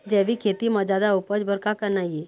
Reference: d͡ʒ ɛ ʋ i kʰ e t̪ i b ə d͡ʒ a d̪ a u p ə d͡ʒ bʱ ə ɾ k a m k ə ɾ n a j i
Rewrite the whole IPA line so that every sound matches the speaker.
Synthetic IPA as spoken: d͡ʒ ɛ ʋ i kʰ e t̪ i m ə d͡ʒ a d̪ a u p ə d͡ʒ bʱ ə ɾ k a k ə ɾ n a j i